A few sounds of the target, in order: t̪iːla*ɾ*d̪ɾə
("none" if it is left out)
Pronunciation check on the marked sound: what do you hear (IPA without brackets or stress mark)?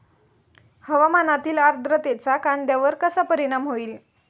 ɾ